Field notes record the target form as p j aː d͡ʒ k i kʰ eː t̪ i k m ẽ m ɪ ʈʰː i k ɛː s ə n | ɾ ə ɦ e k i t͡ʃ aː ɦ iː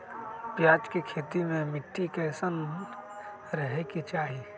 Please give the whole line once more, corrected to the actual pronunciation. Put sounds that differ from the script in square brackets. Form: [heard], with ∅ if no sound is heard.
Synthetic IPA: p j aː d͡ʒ k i kʰ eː t̪ i [∅] m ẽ m ɪ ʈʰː i k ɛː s ə n | ɾ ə ɦ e k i t͡ʃ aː ɦ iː